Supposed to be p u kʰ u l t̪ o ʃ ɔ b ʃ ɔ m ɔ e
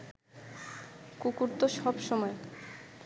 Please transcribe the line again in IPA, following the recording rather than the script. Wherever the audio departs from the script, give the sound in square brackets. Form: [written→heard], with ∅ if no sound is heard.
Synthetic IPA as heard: [p→k] u [kʰ→k] u [l→ɾ] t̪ o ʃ ɔ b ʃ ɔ m ɔ e